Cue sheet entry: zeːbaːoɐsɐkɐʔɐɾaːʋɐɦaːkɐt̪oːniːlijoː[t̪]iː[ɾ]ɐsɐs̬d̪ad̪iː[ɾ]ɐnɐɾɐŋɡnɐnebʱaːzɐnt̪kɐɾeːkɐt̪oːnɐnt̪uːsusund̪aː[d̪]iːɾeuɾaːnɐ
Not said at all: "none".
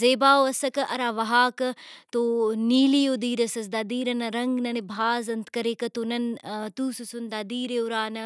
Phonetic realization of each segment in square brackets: d̪, ɾ, ɾ, d̪

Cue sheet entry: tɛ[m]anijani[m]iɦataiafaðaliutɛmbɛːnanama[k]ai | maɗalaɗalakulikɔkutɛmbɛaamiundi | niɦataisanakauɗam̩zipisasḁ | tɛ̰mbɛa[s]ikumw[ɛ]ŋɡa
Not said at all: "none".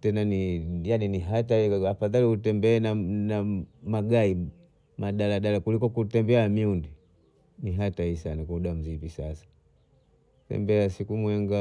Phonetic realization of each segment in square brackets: n, n, ɡ, s, ɛ

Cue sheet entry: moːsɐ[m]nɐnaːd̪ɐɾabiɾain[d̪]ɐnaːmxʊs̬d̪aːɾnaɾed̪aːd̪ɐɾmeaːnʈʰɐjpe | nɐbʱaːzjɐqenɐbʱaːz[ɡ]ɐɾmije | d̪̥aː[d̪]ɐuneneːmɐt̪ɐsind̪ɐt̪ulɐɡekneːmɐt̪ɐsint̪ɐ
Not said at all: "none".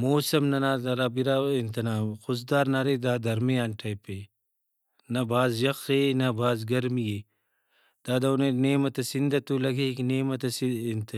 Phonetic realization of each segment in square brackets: m, t̪, ɡ, d̪

